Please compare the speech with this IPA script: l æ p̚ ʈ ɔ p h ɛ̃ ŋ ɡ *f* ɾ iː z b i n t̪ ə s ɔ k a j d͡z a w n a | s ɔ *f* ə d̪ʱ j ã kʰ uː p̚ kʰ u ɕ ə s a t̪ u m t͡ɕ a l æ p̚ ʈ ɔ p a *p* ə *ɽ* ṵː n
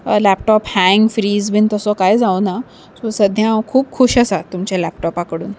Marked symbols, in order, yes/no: yes, no, no, yes

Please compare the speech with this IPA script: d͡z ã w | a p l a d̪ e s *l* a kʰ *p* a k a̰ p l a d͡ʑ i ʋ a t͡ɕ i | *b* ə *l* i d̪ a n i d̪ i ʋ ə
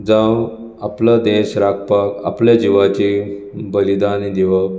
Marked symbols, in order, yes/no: no, yes, yes, yes

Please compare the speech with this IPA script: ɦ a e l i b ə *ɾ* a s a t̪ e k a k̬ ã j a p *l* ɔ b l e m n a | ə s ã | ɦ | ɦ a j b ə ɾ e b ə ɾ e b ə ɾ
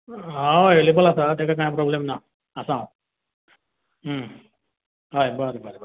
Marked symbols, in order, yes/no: no, no

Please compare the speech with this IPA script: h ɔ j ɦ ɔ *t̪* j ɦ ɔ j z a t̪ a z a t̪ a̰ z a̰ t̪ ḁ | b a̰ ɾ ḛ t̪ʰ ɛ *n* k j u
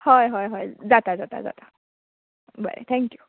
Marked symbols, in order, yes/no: no, no

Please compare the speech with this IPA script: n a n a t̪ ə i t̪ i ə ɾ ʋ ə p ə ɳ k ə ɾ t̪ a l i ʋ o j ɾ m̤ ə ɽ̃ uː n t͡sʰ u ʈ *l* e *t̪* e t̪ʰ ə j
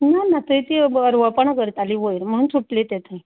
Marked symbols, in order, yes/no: yes, yes

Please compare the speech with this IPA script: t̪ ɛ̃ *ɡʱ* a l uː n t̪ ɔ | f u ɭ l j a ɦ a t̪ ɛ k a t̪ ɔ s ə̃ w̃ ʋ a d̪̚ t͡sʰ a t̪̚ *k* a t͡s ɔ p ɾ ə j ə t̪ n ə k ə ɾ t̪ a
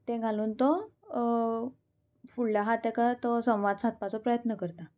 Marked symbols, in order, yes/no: yes, no

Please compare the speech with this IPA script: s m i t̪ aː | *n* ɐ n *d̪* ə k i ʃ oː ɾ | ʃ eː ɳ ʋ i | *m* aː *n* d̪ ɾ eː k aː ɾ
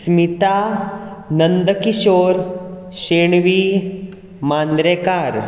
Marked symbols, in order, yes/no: yes, yes, yes, yes

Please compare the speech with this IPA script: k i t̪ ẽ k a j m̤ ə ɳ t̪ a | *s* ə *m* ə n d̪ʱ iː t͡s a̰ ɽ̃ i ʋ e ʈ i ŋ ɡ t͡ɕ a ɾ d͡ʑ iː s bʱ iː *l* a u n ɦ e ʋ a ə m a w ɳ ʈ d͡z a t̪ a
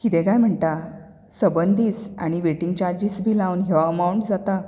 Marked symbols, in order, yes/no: yes, no, yes

